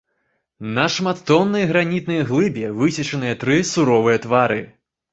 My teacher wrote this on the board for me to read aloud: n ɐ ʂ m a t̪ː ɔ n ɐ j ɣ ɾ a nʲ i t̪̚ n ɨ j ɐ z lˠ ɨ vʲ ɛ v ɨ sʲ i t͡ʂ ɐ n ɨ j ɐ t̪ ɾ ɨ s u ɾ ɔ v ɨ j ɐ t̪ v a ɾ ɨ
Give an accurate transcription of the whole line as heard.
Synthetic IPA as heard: n ɐ ʂ m a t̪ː ɔ nː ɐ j ɣ ɾ a nʲ i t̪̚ n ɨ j ɐ ɣ lˠ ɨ bʲ ɛ v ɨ sʲ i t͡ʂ ɐ n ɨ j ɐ t̪ ɾ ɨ s u ɾ ɔ v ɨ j ɐ t̪ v a ɾ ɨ

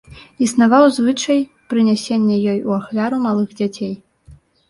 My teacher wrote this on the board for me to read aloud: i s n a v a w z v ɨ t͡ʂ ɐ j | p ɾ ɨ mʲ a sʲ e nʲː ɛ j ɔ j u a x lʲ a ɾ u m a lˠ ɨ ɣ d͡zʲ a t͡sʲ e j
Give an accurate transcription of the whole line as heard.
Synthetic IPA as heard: i s n a v a w z v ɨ t͡ʂ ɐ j | p ɾ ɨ nʲ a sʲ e nʲː ɛ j ɔ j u a x lʲ a ɾ u m a lˠ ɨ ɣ d͡zʲ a t͡sʲ e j

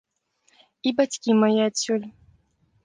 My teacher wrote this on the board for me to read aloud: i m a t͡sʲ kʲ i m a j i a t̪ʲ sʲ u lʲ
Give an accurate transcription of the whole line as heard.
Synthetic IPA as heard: i b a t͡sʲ kʲ i m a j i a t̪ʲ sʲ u lʲ

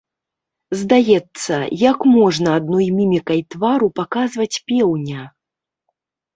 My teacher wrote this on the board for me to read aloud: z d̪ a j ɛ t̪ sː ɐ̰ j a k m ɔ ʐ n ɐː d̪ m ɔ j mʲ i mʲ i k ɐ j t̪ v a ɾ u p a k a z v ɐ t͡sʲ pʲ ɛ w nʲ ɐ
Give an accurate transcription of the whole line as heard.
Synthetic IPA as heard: z d̪ a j ɛ t̪ sː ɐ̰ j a k m ɔ ʐ n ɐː d̪ n ɔ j mʲ i mʲ i k ɐ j t̪ v a ɾ u p a k a z v ɐ t͡sʲ pʲ ɛ w nʲ ɐ

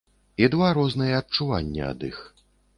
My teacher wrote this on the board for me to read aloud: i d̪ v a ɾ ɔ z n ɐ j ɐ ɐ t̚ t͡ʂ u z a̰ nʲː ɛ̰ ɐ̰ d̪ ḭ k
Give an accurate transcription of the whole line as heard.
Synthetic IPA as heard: i d̪ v a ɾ ɔ z n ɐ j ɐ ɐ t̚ t͡ʂ u v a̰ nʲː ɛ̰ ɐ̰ d̪ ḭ x

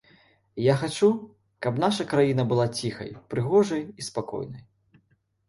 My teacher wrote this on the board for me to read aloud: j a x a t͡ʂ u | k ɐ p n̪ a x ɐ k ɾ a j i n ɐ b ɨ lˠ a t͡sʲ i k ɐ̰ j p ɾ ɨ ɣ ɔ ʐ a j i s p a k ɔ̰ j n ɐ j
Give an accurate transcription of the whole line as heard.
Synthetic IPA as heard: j a x a t͡ʂ u | k ɐ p n̪ a ʂ ɐ k ɾ a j i n ɐ b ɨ lˠ a t͡sʲ i x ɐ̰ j p ɾ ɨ ɣ ɔ ʐ ɐ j i s p a k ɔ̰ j n ɐ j

